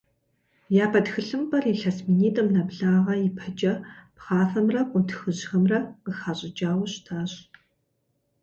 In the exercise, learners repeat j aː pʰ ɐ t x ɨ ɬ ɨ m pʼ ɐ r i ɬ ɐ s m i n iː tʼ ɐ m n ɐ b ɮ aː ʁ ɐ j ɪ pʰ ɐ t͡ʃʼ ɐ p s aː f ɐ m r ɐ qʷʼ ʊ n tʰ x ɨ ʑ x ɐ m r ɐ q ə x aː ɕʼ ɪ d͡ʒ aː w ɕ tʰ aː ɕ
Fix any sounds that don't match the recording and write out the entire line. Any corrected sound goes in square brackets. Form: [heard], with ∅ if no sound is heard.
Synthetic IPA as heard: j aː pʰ ɐ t x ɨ ɬ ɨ m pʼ ɐ r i ɬ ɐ s m i n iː tʼ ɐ m n ɐ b ɮ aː ʁ ɐ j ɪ pʰ ɐ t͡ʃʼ ɐ p [χ] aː f ɐ m r ɐ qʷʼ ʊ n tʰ x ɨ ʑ x ɐ m r ɐ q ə x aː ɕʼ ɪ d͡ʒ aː w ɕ tʰ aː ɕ